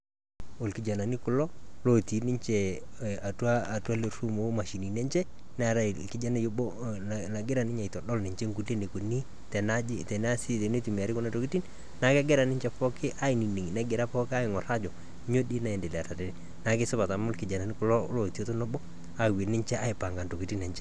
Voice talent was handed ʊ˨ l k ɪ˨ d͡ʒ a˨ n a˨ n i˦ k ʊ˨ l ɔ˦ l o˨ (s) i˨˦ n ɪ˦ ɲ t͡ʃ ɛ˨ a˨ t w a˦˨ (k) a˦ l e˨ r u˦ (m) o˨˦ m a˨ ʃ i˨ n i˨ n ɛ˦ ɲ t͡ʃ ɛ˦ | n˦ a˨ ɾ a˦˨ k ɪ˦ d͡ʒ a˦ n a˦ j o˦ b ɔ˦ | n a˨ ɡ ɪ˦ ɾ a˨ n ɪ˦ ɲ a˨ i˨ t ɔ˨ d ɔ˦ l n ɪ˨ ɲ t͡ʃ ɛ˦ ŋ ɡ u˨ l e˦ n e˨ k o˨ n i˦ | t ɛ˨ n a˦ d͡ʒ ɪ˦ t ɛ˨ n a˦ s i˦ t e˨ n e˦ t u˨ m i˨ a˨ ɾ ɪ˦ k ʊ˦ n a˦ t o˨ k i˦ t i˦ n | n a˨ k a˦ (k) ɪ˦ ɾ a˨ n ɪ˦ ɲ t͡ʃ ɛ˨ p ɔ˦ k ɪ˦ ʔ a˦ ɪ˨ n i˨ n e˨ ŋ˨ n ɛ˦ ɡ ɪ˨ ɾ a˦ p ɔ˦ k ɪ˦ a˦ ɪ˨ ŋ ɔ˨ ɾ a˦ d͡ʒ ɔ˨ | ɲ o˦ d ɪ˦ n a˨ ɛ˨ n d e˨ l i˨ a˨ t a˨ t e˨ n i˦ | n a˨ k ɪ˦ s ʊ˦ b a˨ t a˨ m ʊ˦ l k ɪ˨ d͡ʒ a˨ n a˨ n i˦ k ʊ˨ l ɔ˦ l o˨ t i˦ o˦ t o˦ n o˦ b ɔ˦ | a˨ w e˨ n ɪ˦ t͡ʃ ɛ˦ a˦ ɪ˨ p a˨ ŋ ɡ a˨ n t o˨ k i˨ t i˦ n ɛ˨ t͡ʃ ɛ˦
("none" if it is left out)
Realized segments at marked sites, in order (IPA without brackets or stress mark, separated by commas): t, t, m, ɡ